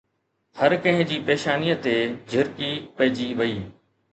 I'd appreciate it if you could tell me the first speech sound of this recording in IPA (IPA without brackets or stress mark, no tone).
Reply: h